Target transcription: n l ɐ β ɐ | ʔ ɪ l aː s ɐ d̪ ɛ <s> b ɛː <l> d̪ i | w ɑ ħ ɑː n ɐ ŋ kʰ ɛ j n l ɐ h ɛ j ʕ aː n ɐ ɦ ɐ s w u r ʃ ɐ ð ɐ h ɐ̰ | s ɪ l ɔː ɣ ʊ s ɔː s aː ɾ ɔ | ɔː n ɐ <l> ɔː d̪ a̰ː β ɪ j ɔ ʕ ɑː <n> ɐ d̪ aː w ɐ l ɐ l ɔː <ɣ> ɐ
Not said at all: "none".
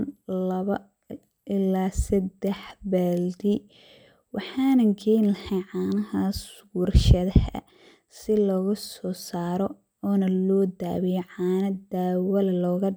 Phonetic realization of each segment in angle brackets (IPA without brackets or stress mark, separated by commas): ħ, l, l, n, ɣ